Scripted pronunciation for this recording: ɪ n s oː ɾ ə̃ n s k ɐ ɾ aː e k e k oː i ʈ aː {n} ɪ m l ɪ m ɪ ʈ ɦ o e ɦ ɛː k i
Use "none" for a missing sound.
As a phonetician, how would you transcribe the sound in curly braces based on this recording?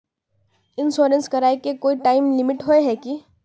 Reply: none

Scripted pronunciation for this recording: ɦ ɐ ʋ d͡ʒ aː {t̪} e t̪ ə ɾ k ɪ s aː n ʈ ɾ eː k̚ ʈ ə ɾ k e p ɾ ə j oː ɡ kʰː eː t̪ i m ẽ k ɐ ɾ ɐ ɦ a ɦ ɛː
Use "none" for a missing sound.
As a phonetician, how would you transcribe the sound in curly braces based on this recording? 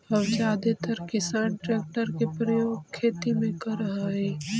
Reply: d̪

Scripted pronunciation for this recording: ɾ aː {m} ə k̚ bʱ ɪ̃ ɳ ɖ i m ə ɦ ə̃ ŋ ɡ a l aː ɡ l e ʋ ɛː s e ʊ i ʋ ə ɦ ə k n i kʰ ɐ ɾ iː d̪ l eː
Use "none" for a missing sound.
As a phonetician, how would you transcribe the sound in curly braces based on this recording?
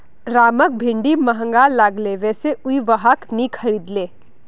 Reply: m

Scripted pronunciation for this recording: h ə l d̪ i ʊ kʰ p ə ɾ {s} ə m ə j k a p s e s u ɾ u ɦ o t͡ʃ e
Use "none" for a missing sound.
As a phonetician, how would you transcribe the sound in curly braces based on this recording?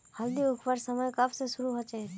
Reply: s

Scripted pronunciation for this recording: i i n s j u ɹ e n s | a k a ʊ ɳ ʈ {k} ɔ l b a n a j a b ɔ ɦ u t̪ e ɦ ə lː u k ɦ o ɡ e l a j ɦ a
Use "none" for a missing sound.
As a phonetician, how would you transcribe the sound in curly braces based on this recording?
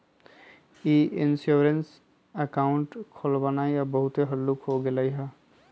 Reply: kʰ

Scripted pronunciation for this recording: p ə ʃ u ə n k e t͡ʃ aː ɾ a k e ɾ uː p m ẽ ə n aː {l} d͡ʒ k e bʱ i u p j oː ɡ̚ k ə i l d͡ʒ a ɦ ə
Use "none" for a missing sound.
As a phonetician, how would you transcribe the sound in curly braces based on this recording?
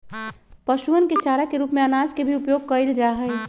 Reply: none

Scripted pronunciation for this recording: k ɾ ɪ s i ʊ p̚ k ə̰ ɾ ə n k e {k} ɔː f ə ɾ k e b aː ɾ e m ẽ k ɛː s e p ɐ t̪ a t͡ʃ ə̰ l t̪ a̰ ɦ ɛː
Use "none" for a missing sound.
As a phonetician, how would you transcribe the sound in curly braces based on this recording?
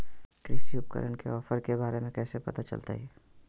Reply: none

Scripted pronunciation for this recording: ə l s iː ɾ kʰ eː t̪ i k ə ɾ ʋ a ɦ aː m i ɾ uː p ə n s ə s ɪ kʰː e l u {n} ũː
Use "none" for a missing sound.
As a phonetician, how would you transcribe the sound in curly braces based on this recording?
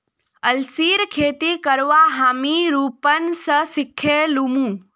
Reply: m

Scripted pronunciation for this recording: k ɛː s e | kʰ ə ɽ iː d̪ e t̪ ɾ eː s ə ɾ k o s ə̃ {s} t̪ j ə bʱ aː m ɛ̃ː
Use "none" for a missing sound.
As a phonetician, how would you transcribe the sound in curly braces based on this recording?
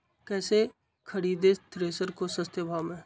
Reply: s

